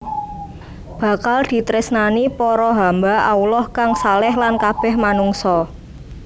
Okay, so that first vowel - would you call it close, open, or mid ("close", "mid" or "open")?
open